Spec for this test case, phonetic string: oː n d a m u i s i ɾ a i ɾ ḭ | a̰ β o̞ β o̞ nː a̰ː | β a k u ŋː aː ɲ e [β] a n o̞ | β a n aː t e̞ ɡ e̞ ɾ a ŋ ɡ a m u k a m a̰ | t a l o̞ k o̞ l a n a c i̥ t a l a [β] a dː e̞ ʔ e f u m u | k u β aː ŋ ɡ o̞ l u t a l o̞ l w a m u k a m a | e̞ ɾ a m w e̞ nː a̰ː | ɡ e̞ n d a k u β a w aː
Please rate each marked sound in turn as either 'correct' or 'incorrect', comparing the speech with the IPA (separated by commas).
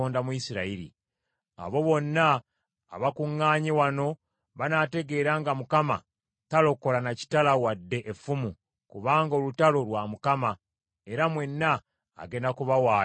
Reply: incorrect, incorrect